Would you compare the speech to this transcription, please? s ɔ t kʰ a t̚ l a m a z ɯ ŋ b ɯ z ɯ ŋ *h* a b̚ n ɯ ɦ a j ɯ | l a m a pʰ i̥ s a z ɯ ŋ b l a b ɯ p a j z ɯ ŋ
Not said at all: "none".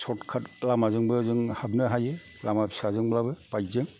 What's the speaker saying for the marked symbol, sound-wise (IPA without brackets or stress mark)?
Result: h